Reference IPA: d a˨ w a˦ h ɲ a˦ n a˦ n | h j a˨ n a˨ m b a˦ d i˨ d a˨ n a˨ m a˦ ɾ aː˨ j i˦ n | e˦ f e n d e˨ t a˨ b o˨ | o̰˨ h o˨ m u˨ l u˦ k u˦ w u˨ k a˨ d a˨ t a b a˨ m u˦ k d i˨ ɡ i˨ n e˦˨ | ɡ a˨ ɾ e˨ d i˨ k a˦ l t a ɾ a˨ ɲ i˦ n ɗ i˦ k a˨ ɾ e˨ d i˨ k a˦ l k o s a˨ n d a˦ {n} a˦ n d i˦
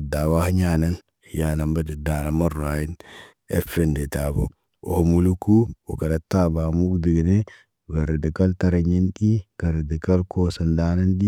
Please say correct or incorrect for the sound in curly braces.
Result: correct